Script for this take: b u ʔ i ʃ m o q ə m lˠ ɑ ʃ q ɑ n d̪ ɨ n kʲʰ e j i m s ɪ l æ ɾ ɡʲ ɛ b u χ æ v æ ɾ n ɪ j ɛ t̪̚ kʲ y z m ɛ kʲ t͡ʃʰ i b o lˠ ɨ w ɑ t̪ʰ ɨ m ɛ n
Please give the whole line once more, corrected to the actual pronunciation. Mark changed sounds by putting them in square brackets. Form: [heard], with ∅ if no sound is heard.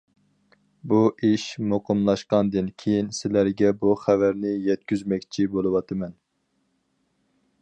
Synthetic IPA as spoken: b u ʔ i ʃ m o q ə m lˠ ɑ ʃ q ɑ n d̪ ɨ n kʲʰ e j i [n] s ɪ l æ ɾ ɡʲ ɛ b u χ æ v æ ɾ n ɪ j ɛ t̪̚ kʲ y z m ɛ kʲ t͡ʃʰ i b o lˠ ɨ w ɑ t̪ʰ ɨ m ɛ n